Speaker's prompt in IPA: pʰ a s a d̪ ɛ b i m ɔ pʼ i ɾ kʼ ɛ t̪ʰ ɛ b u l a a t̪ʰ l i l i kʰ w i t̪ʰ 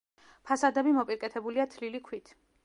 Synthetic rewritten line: pʰ a s a d̪ ɛ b i m ɔ pʼ i ɾ kʼ ɛ t̪ʰ ɛ b u l i a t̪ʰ l i l i kʰ w i t̪ʰ